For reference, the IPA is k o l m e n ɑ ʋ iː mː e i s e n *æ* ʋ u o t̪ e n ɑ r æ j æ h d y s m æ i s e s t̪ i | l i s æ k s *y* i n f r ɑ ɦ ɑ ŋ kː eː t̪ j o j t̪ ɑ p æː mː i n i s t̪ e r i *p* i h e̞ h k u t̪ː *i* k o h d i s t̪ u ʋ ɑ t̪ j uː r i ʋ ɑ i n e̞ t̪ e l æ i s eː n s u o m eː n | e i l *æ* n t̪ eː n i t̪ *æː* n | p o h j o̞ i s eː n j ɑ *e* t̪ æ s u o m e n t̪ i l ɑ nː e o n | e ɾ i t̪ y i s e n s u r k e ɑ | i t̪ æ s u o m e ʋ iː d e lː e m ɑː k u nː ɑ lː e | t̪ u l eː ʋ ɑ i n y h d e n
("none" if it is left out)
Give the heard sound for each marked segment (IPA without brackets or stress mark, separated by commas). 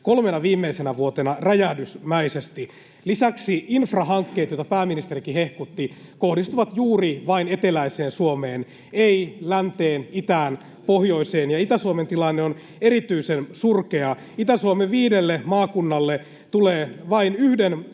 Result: æ, i, k, i, æ, æː, i